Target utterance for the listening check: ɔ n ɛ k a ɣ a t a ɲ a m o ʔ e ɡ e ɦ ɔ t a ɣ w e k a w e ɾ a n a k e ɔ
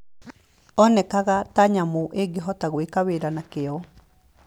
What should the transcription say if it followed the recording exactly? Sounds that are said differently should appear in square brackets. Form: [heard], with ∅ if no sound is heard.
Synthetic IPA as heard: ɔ n ɛ k a ɣ a t a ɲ a m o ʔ e ɡ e ɦ ɔ t a ɣ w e k a w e ɾ a n a k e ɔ